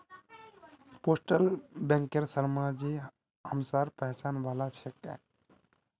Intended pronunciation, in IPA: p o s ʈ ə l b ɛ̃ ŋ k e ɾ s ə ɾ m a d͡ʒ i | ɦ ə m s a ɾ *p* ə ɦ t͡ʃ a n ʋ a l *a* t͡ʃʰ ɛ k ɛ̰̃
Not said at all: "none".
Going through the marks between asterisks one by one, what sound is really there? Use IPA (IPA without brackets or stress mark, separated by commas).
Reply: p, a